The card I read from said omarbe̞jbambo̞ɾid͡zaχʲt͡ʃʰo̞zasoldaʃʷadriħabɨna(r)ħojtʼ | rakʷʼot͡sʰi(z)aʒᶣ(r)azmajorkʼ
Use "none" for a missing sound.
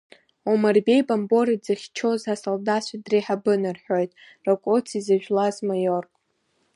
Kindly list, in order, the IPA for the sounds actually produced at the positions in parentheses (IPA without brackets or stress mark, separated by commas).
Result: r, z, l